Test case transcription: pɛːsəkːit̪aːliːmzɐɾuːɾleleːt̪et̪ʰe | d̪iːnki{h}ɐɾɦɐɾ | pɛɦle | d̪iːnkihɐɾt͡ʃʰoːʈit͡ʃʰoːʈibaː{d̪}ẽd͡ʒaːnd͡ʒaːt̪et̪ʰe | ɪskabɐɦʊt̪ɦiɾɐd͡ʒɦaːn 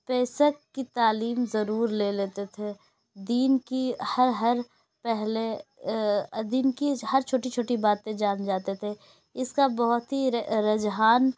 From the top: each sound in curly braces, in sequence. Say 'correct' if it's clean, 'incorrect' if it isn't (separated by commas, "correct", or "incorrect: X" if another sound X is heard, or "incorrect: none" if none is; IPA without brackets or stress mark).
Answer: correct, incorrect: t̪